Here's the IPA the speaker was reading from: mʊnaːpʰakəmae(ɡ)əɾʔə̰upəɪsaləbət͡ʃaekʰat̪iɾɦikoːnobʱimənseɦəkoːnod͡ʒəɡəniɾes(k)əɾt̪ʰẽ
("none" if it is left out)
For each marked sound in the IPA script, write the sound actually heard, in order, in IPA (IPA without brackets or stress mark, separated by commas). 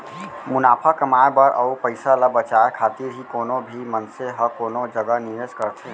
b, k